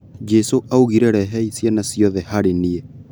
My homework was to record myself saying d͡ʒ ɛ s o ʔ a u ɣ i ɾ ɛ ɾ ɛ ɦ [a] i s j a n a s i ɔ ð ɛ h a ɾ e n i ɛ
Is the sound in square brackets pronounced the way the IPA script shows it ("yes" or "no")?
no